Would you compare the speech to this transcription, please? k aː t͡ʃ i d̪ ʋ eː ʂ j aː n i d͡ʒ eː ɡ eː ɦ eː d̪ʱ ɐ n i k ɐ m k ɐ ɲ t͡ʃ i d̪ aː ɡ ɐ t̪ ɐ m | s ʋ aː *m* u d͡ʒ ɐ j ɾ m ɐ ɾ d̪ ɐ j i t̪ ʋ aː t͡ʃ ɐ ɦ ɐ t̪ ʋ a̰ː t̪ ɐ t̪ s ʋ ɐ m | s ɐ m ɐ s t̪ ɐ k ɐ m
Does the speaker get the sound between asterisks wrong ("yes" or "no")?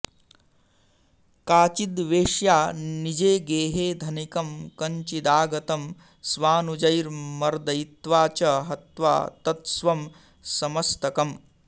yes